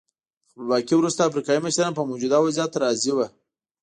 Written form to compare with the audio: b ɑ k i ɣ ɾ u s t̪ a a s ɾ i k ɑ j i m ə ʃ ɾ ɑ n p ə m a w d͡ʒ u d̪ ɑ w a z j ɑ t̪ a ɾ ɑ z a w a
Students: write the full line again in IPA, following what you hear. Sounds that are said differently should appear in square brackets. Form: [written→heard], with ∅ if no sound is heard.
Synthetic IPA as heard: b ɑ k i [ɣ→w] ɾ u s t̪ a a [s→f] ɾ i k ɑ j i m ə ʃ ɾ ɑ n p ə m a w d͡ʒ u d̪ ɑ w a z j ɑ t̪ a ɾ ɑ z [a→i] w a